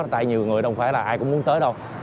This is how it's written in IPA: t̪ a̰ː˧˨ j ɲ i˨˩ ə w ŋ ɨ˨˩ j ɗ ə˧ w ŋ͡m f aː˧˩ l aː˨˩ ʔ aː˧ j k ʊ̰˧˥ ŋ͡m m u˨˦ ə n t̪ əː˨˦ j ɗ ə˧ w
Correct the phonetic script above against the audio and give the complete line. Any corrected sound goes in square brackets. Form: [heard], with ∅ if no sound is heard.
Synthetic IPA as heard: t̪ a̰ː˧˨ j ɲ i˨˩ ə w ŋ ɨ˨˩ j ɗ ə˧ w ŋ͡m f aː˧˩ l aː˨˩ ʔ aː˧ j k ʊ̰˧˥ ŋ͡m m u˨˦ ə n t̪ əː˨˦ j ɗ ə˧ w